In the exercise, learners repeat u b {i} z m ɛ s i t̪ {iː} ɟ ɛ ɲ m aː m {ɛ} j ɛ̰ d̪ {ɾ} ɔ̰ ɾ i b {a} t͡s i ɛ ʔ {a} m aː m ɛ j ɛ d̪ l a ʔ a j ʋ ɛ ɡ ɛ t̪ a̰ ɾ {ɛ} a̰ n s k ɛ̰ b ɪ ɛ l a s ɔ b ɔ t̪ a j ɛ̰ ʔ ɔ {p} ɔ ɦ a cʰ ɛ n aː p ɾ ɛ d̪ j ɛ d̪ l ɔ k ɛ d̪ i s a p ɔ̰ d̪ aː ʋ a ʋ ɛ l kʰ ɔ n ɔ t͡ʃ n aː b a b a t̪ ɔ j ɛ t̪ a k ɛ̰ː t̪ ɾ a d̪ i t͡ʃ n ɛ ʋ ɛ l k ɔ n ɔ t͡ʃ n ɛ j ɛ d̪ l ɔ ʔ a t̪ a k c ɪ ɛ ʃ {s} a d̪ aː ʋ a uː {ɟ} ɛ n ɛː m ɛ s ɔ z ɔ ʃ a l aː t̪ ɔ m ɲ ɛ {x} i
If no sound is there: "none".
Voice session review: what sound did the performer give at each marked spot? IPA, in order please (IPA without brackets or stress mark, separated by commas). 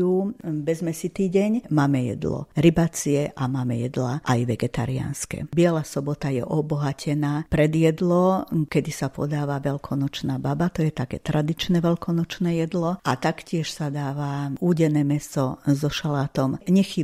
ɛ, iː, ɛ, l, a, a, i, b, s, ɟ, x